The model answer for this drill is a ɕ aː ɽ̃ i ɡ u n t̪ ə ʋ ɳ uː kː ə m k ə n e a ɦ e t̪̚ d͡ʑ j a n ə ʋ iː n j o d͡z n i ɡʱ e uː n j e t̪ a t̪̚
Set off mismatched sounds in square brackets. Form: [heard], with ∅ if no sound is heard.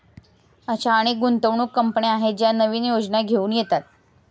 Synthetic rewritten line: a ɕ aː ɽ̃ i ɡ u n t̪ ə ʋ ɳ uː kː ə m [p] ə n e a ɦ e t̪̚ d͡ʑ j a n ə ʋ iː n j o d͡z n [a] ɡʱ e uː n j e t̪ a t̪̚